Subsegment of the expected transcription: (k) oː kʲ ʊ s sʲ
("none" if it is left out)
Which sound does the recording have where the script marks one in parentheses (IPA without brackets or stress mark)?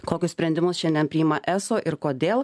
k